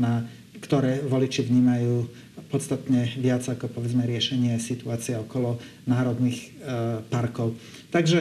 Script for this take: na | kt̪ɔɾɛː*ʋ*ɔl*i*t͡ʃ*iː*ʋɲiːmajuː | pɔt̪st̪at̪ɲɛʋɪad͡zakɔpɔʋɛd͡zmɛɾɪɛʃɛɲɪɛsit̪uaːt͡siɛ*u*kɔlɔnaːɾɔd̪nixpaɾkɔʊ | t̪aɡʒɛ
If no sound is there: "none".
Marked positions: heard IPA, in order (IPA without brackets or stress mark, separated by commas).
ʋ, i, i, ɔ